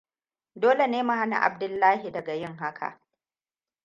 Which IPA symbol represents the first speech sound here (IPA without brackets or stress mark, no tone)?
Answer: d